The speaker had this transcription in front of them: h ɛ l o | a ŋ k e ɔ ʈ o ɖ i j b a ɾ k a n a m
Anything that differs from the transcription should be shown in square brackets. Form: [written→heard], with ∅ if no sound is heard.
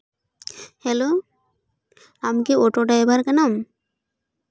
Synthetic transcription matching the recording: h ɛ l o | a [ŋ→m] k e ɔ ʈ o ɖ [i→a] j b a ɾ k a n a m